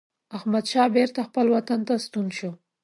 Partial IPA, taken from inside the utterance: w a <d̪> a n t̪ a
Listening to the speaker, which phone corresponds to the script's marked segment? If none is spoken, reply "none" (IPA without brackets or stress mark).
t̪